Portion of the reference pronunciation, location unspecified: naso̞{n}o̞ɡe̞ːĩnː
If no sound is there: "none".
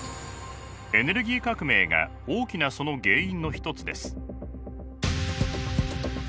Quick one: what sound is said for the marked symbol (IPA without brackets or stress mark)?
n